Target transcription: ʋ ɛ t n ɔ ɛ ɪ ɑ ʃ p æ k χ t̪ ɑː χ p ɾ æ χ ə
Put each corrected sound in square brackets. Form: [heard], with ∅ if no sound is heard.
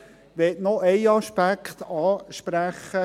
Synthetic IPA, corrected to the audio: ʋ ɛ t n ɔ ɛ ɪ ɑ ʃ p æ k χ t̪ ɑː [ʃ] p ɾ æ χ ə